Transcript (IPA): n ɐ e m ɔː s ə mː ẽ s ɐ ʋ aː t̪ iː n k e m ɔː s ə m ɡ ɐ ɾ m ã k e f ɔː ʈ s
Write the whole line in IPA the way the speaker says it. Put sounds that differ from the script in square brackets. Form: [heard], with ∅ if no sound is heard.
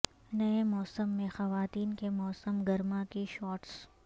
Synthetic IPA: n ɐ e m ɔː s ə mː ẽ [x] ɐ ʋ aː t̪ iː n k e m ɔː s ə m ɡ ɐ ɾ m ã k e [ʃ] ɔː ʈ s